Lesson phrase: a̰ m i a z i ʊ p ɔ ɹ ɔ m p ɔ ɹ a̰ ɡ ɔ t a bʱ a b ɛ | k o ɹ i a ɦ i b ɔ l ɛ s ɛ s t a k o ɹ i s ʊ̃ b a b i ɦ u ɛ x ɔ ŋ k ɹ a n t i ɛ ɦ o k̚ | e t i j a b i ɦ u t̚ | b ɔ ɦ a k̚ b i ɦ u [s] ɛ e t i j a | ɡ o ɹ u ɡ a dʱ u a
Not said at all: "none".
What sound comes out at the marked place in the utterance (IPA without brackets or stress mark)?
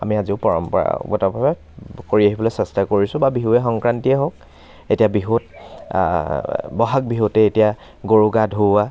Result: t